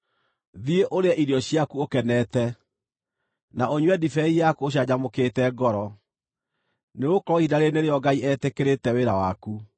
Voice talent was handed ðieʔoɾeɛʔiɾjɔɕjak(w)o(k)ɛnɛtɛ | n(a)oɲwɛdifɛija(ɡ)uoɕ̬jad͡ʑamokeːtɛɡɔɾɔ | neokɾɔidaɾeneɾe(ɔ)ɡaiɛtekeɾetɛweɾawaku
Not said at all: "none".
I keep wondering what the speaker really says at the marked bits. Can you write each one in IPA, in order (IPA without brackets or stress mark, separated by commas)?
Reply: u, k, a, k, ɔ